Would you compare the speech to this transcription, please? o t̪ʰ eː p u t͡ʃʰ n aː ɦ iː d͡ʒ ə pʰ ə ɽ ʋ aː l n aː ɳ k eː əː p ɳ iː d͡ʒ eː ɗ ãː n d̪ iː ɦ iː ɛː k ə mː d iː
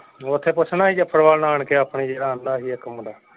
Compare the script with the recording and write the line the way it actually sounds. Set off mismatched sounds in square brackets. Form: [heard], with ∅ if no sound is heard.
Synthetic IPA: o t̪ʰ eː p [ʊ] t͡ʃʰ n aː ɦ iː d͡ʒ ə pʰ ə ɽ ʋ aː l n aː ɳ k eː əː p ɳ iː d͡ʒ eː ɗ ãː n d̪ [aː] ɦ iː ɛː k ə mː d [aː]